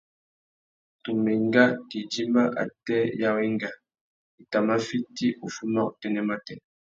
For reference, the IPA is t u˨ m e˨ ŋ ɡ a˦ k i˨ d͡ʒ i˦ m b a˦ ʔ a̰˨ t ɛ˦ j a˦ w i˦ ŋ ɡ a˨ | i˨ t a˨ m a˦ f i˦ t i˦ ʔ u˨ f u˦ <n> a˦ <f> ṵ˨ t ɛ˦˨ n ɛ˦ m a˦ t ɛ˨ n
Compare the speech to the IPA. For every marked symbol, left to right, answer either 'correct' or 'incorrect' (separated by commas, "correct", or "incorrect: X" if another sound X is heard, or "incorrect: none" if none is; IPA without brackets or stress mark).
incorrect: m, incorrect: none